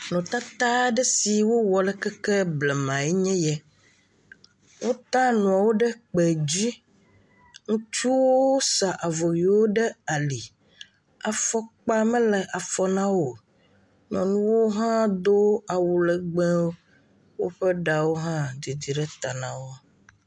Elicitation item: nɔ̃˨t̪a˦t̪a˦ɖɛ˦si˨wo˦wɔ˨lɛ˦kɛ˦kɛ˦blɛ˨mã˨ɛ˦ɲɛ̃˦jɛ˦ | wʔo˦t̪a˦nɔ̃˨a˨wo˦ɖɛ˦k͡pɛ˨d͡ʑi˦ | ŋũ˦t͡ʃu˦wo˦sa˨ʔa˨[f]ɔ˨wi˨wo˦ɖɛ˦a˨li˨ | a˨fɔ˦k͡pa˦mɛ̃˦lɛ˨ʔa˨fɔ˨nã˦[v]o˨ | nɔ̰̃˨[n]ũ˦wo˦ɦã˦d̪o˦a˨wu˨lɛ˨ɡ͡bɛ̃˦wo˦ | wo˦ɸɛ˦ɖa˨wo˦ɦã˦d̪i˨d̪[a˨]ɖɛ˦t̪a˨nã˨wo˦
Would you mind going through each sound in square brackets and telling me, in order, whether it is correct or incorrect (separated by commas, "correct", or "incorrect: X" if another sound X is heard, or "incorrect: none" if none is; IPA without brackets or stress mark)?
incorrect: v, incorrect: w, correct, incorrect: i˨